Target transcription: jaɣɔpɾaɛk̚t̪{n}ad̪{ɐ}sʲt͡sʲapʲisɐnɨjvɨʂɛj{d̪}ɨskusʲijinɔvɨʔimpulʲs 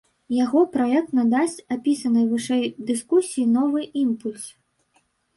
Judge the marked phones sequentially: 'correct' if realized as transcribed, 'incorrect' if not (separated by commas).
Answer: correct, incorrect, correct